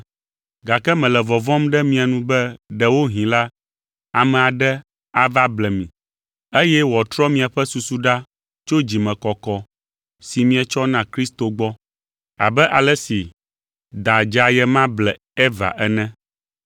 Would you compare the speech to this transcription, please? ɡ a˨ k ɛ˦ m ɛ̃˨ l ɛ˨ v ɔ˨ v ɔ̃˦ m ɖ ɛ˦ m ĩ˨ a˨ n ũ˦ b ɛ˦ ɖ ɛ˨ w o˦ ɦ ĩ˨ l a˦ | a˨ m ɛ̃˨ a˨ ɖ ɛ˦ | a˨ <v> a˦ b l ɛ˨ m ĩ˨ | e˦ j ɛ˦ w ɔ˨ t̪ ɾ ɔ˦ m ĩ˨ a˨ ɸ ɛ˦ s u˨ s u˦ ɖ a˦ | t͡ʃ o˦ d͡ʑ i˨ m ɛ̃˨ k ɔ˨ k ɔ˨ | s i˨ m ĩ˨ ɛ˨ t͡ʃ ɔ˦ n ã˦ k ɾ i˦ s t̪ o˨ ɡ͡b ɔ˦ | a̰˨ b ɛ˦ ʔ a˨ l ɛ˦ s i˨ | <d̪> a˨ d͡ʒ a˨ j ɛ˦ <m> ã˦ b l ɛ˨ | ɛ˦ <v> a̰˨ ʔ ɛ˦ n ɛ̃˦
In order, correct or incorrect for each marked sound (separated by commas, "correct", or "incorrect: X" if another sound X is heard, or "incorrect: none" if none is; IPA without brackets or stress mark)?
correct, correct, correct, correct